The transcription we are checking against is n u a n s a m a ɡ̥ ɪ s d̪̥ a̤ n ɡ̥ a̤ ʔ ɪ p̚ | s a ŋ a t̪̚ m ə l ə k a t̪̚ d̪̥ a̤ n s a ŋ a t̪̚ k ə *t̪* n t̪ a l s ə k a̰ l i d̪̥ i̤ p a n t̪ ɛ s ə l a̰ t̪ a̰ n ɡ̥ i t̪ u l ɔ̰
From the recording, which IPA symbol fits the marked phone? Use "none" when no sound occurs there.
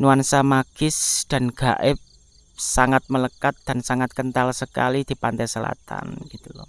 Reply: none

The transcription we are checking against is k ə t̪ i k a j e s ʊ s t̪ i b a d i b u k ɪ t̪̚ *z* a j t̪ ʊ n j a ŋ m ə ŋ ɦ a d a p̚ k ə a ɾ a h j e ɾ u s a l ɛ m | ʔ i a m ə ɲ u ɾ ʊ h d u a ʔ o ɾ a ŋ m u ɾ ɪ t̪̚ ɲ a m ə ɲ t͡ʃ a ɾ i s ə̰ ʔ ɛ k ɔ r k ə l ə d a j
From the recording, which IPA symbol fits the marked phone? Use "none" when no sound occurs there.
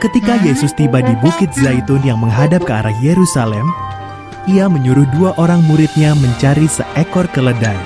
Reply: z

